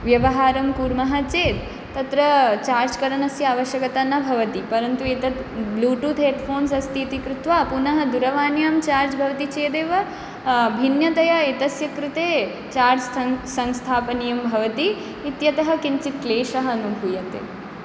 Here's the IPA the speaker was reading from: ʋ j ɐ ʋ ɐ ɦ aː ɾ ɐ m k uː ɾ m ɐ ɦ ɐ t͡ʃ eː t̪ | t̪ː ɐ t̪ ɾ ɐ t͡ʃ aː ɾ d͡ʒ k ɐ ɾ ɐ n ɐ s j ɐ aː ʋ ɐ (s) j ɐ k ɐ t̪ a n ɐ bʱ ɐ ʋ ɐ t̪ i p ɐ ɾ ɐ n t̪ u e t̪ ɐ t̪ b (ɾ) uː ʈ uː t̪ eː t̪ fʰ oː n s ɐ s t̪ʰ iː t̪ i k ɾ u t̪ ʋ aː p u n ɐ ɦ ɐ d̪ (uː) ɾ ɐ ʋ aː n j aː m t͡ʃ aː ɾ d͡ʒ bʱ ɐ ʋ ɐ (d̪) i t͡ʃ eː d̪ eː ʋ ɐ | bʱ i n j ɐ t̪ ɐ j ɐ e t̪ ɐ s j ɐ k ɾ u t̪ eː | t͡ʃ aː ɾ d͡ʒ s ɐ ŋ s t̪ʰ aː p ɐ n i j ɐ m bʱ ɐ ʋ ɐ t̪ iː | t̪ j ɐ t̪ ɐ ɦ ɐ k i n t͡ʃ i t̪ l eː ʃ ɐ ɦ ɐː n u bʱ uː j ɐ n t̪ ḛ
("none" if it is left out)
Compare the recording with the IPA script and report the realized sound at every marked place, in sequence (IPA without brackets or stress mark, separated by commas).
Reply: ʃ, l, u, t̪